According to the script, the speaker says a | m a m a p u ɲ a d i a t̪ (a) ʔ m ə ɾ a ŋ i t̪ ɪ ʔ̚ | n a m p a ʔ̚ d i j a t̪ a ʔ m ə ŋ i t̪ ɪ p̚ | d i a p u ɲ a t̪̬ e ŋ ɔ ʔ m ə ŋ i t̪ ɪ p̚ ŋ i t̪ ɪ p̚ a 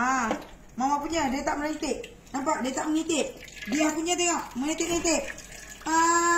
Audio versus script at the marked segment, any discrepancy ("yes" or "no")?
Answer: no